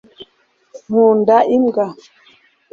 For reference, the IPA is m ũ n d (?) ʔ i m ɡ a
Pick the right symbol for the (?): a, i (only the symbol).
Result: a